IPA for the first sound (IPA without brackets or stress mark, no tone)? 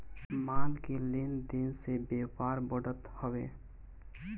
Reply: m